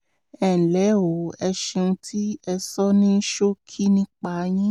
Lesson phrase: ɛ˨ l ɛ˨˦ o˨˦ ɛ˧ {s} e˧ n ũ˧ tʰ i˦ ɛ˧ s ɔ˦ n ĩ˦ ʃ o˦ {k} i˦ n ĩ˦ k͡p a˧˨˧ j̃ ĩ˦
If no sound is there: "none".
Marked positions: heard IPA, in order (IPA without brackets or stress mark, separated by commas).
ʃ, kʰ